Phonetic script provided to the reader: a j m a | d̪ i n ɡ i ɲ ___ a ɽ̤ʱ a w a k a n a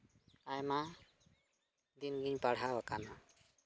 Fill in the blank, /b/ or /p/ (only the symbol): p